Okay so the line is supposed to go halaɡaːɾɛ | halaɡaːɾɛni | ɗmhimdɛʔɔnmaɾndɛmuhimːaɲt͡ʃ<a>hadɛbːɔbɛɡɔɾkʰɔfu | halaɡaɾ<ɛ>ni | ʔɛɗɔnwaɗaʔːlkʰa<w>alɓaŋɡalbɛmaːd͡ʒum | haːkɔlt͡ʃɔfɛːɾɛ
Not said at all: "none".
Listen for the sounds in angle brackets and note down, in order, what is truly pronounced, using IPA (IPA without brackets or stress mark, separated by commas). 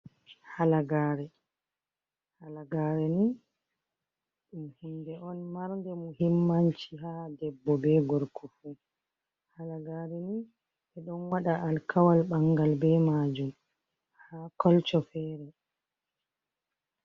i, ɛ, w